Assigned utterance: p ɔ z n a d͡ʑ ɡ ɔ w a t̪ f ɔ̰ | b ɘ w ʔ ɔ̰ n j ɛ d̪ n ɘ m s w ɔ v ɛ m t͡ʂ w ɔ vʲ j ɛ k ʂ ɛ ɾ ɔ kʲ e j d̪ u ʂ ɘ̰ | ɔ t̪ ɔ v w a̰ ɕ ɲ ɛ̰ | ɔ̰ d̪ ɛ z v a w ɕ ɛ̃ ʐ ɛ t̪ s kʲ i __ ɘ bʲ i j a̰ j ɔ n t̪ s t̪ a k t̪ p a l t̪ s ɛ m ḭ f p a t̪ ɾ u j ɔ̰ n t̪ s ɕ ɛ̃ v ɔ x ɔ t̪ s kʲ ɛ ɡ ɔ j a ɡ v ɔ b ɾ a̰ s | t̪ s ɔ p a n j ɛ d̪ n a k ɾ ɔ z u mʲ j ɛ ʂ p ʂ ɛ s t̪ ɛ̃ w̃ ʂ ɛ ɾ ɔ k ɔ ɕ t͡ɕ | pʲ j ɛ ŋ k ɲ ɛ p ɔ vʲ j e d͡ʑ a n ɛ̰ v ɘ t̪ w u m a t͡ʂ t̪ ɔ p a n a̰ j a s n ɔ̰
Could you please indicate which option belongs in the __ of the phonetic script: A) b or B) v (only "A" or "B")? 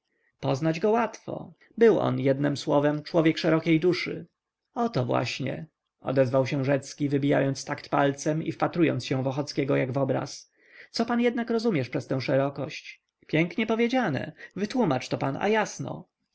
B